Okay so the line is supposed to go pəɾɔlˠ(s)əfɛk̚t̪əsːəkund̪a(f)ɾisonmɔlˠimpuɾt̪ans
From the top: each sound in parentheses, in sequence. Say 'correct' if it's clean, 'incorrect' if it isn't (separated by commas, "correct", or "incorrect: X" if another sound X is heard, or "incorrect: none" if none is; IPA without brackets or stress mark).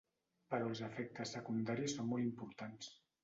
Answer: incorrect: z, incorrect: none